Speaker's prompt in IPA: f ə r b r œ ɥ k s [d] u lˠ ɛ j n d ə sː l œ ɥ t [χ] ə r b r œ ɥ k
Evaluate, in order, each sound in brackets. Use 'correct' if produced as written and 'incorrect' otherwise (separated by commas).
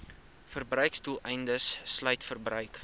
incorrect, incorrect